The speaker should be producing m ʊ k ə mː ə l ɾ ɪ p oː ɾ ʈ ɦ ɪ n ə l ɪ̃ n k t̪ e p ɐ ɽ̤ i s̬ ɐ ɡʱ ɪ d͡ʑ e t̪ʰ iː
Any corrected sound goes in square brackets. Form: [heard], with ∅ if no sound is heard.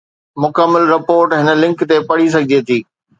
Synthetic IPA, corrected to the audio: m ʊ k ə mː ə l ɾ ɪ p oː ɾ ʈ ɦ ɪ n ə l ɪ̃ [ŋ] k t̪ e p ɐ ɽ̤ i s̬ ɐ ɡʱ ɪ d͡ʑ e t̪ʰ iː